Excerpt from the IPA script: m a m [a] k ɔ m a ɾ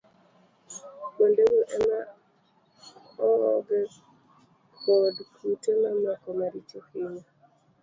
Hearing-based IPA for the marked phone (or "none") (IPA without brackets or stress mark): a